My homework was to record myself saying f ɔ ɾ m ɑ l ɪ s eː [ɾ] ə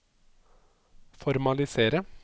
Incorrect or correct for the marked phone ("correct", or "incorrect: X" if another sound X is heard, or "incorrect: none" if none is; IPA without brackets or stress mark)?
correct